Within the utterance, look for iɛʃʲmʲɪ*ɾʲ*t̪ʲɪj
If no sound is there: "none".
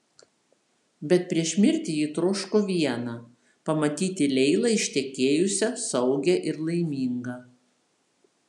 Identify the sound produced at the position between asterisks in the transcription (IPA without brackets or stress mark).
ɾʲ